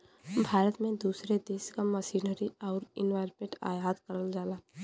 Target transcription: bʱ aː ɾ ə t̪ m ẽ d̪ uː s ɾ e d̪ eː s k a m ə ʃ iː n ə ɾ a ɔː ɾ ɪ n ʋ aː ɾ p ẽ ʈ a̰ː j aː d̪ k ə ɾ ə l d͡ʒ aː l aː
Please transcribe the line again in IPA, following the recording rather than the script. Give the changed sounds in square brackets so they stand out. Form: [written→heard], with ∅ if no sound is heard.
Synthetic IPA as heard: bʱ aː ɾ ə t̪ m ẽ d̪ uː s ɾ e d̪ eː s k a m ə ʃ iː n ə ɾ [a→i] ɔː ɾ ɪ n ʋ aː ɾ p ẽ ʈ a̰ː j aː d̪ k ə ɾ ə l d͡ʒ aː l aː